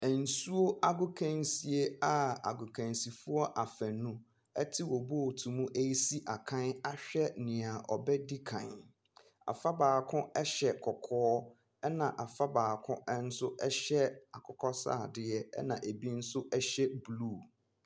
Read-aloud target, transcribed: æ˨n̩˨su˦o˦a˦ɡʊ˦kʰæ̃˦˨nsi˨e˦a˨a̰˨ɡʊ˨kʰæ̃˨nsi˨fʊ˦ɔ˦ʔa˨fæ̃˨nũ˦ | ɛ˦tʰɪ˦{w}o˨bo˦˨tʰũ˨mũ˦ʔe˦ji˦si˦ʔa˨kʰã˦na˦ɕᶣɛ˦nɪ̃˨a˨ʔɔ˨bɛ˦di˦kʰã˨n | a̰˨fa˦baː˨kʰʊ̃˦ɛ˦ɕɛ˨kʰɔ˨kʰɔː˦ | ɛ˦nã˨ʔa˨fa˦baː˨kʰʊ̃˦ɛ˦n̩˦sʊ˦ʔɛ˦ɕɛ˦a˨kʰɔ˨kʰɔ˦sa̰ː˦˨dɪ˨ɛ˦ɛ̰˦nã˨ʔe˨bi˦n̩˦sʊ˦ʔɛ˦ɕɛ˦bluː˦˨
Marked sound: correct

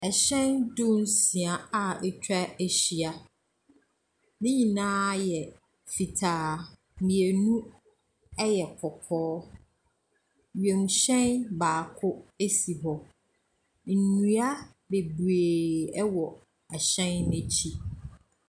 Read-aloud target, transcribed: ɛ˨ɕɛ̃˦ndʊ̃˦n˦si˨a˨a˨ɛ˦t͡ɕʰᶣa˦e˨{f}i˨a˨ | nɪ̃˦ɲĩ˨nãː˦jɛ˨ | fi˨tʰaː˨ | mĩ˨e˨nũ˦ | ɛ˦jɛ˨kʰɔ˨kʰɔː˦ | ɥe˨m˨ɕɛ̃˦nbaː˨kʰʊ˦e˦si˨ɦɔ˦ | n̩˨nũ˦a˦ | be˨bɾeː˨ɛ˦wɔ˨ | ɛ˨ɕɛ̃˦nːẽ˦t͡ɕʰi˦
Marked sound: incorrect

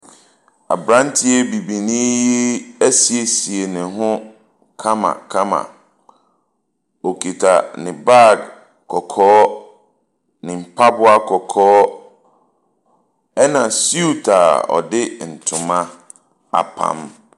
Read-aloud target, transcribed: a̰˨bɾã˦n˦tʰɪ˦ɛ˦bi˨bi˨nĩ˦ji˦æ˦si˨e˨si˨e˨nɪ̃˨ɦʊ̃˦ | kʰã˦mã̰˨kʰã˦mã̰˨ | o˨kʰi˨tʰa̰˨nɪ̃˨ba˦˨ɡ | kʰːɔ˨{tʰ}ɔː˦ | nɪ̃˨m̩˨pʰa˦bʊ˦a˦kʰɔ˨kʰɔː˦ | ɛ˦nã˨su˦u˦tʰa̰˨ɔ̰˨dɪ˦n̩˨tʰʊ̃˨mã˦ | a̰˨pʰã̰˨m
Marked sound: incorrect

